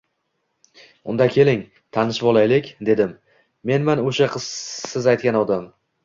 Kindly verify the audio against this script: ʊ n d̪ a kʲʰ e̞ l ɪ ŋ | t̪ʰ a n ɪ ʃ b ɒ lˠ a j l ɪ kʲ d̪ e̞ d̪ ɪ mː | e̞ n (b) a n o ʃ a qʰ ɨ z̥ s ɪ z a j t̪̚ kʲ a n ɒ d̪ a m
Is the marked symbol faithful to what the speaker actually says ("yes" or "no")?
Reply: no